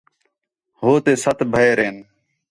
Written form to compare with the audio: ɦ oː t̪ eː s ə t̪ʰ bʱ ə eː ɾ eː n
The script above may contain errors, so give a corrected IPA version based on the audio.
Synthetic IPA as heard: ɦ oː t̪ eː s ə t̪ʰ bʱ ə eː ɾ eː n